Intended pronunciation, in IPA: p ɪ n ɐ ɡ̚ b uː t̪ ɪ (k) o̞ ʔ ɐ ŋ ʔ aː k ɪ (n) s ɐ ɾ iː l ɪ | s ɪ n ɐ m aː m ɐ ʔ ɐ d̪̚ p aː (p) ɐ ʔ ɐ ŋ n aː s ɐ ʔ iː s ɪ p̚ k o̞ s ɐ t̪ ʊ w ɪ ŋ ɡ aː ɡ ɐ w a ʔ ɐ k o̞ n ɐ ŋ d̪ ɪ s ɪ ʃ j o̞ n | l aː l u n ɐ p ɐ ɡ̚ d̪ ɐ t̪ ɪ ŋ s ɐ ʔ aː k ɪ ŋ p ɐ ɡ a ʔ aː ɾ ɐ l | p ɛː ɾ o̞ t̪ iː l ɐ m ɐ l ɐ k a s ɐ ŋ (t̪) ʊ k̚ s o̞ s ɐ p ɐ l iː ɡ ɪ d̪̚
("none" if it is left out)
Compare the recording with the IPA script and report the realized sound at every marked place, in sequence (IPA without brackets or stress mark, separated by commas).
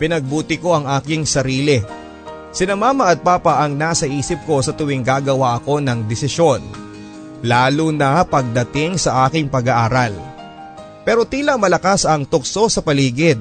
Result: k, ŋ, p, t̪